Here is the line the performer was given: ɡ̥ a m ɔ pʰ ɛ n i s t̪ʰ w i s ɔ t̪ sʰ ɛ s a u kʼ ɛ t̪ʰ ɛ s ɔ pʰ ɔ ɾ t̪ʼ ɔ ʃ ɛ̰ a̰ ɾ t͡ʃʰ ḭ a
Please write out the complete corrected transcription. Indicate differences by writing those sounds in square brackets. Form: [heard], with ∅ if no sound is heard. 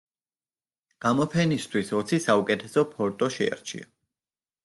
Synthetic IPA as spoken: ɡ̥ a m ɔ pʰ ɛ n i s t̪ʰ w i s ɔ t̪ sʰ [i] s a u kʼ ɛ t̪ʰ ɛ s ɔ pʰ ɔ ɾ t̪ʼ ɔ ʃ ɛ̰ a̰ ɾ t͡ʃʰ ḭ a